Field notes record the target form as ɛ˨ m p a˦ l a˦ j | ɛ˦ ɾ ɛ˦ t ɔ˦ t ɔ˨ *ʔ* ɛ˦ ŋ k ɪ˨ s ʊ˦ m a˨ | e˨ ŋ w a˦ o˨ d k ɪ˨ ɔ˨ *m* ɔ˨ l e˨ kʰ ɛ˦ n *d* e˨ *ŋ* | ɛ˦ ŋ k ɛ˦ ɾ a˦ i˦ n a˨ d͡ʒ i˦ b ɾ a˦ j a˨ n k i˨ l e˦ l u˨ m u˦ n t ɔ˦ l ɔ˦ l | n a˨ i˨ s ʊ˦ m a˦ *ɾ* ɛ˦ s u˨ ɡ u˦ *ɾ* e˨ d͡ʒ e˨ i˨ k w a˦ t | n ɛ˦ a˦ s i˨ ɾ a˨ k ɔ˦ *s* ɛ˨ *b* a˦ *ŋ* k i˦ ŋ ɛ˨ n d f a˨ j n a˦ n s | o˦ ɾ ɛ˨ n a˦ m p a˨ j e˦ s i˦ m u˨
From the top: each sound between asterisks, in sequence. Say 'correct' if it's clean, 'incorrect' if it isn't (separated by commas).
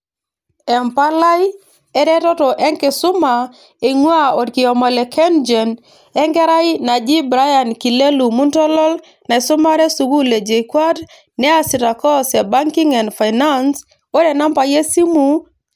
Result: correct, correct, incorrect, incorrect, correct, incorrect, correct, correct, correct